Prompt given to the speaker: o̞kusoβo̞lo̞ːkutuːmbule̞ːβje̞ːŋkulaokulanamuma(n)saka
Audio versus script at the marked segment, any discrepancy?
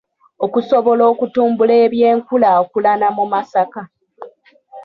yes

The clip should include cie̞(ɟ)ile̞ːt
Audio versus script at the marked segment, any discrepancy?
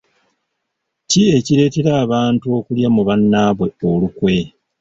yes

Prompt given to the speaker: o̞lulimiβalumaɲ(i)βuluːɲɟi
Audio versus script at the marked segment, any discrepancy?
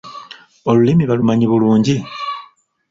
no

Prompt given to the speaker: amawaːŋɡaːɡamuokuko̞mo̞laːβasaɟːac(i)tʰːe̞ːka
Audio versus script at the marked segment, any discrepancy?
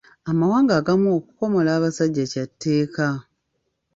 yes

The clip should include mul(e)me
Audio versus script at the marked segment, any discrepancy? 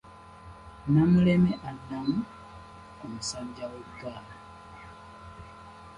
no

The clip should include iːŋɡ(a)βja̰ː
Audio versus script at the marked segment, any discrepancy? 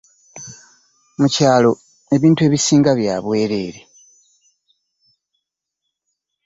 no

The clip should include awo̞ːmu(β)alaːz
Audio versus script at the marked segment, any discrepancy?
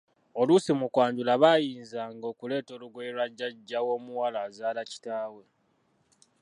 yes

